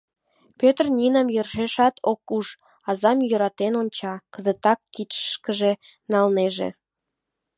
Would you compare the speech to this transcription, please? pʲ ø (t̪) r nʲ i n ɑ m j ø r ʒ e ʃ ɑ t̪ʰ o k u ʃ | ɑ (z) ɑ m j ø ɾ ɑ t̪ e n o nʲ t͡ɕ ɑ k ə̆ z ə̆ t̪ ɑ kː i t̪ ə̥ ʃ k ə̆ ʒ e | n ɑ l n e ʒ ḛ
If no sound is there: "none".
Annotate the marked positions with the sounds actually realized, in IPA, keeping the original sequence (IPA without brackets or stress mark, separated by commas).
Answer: t̪, z